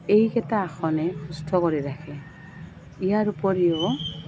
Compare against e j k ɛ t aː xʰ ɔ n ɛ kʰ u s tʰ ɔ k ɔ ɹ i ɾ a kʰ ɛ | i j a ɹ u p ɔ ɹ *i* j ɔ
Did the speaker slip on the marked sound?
no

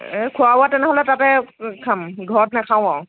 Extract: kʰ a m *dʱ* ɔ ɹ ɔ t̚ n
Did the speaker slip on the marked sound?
yes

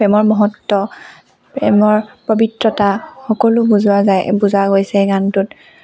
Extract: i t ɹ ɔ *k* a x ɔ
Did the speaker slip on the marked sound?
yes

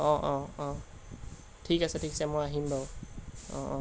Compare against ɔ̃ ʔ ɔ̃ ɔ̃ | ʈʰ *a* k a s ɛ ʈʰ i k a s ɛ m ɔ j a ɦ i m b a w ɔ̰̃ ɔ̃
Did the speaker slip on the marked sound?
yes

